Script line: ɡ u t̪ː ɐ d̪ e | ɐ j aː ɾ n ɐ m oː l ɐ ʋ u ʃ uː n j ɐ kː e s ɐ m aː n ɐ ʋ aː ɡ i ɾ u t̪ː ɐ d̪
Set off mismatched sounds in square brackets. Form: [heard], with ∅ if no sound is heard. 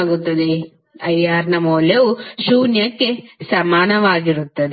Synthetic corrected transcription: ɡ u t̪ː ɐ d̪ e | ɐ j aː ɾ n ɐ m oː l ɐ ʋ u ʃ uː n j ɐ kː e s ɐ m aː n ɐ ʋ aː ɡ i ɾ u t̪ː ɐ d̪